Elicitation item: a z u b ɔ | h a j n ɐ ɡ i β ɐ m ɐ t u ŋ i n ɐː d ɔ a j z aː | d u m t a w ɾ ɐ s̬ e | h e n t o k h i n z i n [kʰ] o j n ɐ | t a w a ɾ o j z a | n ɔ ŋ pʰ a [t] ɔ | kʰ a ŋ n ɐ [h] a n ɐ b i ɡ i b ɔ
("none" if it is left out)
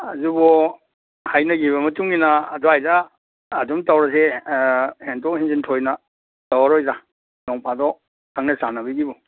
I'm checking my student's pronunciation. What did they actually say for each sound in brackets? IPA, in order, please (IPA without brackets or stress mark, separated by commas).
tʰ, d, s